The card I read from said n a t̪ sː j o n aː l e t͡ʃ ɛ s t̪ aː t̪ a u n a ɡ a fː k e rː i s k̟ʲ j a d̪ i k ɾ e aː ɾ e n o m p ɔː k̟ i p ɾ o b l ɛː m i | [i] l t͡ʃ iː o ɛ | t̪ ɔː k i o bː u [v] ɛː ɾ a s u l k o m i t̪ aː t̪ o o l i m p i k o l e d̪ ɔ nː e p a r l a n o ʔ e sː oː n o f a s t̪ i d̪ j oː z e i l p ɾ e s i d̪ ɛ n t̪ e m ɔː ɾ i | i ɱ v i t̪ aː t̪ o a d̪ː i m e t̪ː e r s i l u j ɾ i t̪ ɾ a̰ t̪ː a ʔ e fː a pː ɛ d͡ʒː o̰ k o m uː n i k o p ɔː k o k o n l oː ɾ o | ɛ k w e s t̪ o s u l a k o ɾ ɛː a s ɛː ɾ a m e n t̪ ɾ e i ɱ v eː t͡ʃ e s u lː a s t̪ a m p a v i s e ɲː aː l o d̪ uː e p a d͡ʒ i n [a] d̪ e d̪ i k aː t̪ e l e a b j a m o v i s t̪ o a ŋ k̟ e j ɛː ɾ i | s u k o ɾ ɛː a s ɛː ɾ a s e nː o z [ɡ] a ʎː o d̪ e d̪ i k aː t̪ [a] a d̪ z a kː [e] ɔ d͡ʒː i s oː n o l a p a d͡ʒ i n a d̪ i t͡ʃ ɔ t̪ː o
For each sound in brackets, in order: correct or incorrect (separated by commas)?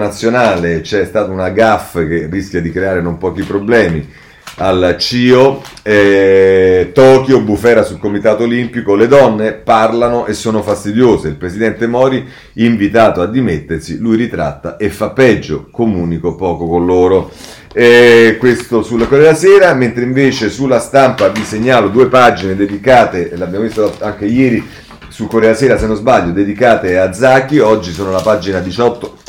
incorrect, incorrect, incorrect, incorrect, incorrect, incorrect